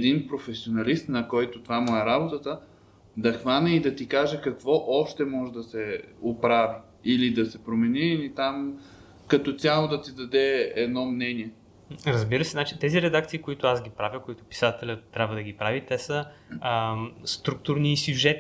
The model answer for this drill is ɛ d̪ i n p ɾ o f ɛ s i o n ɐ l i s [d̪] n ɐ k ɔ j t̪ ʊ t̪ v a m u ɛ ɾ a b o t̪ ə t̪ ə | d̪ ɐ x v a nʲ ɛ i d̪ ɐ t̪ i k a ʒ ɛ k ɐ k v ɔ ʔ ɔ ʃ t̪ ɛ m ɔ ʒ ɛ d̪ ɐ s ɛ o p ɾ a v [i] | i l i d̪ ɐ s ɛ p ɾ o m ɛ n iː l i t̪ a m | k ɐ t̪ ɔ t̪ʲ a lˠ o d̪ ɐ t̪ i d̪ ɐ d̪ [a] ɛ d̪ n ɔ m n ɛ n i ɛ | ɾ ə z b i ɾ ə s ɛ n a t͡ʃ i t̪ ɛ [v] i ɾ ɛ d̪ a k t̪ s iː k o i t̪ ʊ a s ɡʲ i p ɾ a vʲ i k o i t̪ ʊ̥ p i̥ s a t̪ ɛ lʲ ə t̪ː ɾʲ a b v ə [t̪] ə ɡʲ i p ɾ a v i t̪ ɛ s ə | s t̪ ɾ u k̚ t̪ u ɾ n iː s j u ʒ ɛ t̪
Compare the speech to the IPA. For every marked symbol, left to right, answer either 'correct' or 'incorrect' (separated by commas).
incorrect, correct, incorrect, incorrect, incorrect